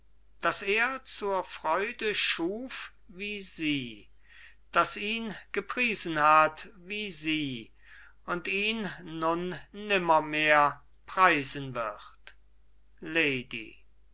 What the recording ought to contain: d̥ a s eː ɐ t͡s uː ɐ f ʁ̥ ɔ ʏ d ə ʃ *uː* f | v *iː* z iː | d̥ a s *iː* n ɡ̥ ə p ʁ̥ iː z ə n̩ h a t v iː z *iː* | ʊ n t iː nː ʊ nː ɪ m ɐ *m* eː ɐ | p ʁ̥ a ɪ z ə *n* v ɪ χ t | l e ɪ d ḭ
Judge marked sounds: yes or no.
yes, yes, yes, yes, yes, yes

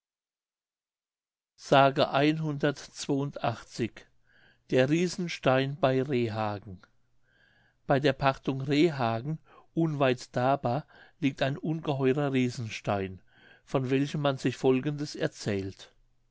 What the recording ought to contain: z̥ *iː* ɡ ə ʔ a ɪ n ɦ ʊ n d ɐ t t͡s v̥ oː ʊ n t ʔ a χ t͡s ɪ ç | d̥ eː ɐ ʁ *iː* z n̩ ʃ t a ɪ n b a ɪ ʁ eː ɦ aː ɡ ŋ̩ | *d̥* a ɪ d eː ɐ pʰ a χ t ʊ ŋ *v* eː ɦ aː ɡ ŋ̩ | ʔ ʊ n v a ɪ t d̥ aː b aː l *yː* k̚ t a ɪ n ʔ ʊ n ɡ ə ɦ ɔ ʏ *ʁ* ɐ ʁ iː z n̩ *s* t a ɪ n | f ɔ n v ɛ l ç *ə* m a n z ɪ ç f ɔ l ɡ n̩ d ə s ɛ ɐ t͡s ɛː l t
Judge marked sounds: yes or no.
no, yes, no, no, no, yes, no, yes

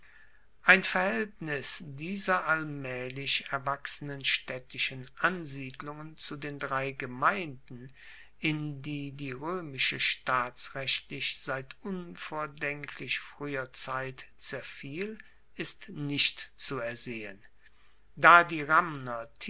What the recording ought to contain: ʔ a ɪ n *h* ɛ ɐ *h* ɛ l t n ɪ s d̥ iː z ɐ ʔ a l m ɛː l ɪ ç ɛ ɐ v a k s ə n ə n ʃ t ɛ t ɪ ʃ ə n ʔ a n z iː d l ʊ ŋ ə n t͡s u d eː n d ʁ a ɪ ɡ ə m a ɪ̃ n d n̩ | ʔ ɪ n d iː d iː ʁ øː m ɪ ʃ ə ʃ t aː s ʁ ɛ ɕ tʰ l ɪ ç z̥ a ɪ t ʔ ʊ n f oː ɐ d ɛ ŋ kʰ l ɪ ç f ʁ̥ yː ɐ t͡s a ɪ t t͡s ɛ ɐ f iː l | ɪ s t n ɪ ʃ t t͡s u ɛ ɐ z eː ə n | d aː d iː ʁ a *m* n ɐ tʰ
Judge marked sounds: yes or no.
no, yes, yes

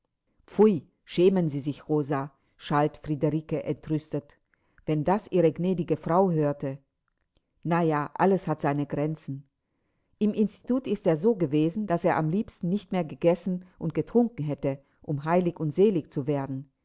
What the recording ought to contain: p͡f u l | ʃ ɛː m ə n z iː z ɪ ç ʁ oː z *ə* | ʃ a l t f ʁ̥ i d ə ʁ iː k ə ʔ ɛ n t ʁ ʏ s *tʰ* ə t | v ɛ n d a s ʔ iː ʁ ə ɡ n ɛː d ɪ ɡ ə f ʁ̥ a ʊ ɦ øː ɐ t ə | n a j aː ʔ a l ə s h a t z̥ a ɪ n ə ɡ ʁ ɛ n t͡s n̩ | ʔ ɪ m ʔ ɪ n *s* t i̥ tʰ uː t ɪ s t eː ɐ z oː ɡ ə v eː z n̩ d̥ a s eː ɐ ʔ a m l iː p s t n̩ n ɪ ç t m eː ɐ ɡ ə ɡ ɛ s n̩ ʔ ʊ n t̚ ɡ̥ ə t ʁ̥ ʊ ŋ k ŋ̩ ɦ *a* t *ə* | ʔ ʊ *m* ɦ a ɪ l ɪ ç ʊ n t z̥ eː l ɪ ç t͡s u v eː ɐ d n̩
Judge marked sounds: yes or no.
no, no, yes, no, yes, yes

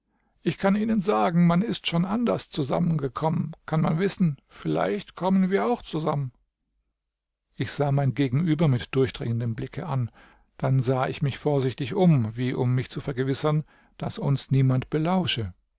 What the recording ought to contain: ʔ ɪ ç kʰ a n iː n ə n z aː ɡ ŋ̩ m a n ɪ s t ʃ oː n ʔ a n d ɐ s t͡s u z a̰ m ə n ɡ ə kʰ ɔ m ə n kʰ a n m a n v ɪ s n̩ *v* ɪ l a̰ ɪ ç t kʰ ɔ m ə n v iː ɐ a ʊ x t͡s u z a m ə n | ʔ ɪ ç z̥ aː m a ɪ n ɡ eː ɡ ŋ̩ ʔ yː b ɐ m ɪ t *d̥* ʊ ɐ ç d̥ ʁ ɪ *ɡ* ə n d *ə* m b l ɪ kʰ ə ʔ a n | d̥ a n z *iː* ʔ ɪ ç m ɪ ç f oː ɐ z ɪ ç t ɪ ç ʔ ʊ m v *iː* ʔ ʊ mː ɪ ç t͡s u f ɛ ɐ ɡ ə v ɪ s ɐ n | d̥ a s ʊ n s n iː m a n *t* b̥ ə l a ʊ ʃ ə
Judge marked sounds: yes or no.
no, yes, no, yes, no, yes, yes

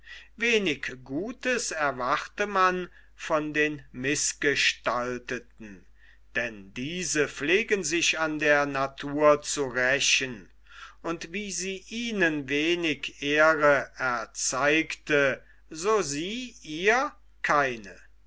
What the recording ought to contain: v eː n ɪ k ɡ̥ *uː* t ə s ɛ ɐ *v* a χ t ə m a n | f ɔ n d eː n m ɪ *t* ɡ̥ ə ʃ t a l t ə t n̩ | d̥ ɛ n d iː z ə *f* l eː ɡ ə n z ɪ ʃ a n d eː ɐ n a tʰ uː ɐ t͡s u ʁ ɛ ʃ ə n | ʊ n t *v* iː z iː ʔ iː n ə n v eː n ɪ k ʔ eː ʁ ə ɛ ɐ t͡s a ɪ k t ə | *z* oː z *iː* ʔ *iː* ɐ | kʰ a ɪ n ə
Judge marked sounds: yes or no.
yes, yes, no, yes, yes, yes, yes, yes

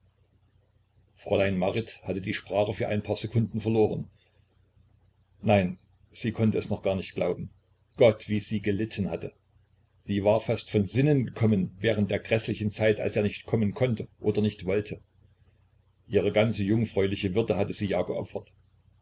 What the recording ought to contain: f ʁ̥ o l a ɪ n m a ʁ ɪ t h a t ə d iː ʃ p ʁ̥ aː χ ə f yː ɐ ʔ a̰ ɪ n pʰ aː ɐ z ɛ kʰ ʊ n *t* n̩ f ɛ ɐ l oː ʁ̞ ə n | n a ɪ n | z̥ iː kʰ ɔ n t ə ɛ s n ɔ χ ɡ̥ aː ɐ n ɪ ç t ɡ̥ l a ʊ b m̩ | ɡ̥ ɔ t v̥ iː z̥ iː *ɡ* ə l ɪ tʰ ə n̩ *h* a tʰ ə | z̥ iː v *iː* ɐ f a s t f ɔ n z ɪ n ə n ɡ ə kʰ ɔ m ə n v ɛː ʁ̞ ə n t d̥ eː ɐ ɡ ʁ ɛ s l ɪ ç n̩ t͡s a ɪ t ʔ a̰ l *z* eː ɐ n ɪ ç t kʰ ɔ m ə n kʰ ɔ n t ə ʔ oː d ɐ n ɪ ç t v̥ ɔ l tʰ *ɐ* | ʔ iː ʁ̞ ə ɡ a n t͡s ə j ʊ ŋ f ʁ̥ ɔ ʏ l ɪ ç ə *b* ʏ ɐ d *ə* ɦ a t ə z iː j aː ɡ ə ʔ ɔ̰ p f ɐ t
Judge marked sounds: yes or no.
no, yes, yes, no, no, no, no, yes

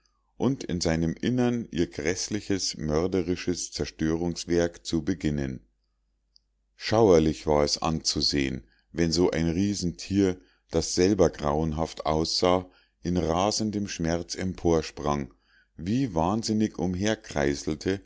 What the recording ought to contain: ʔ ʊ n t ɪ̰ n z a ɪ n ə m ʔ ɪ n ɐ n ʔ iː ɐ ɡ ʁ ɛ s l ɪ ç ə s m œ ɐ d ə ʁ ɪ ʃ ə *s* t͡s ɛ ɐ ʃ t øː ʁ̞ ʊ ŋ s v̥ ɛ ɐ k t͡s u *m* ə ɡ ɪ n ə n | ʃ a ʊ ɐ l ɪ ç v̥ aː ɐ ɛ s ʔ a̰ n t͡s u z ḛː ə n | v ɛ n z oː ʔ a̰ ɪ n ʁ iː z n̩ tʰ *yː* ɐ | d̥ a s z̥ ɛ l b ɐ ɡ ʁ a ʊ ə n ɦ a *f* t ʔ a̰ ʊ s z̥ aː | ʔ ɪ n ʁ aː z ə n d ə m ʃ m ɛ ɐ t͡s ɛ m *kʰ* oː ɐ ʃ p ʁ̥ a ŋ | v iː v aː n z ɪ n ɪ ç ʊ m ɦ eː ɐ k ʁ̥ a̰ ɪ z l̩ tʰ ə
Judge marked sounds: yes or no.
yes, no, no, yes, no

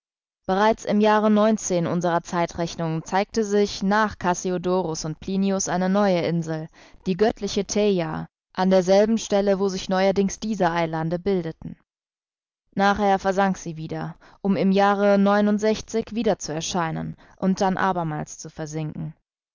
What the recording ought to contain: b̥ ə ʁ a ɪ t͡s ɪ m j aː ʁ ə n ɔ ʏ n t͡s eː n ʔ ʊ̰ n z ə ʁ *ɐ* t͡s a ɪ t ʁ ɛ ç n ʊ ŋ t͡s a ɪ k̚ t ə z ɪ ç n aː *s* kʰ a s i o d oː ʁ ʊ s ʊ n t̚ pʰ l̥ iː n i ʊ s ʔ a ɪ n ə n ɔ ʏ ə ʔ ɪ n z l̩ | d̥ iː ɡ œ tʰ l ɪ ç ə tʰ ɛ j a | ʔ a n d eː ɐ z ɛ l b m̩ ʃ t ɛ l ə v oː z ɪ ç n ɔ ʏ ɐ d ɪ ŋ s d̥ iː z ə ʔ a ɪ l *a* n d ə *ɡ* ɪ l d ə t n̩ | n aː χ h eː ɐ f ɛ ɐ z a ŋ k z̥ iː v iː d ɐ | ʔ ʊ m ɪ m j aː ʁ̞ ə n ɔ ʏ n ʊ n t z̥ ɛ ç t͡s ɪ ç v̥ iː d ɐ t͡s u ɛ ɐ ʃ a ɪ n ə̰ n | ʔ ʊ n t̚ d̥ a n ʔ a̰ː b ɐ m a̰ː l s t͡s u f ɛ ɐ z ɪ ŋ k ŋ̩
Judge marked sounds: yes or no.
yes, no, yes, no

